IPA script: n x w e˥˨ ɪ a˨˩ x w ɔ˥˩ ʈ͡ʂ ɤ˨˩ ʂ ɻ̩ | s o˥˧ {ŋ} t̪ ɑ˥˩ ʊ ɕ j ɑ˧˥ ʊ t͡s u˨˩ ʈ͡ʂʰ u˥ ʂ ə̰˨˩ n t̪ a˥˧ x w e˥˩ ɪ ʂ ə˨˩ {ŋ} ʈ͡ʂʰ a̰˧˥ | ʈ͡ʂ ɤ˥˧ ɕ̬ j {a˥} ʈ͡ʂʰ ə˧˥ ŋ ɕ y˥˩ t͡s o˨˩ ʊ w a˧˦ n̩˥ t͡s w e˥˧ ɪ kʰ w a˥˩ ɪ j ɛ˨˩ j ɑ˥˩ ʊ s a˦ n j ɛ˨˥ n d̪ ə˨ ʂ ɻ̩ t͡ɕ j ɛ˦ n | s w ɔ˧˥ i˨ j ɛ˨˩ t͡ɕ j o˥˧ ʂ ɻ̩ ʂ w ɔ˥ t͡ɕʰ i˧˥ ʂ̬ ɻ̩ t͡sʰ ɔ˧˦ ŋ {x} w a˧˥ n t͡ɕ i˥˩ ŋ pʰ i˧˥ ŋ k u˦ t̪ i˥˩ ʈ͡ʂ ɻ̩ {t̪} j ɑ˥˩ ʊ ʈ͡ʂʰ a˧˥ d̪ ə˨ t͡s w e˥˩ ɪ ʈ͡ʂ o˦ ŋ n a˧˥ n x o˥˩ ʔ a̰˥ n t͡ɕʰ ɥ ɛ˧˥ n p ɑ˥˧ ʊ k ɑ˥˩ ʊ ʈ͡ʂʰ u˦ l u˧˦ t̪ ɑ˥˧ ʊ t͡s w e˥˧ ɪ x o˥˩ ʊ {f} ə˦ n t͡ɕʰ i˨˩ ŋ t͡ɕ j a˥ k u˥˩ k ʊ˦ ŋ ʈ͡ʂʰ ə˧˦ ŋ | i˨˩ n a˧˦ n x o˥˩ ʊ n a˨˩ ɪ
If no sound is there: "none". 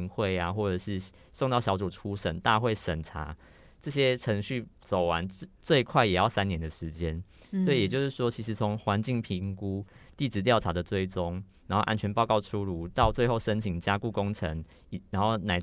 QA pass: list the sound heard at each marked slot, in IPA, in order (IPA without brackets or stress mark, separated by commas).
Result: ŋ, n, ɛ˥, x, t̪, ʂ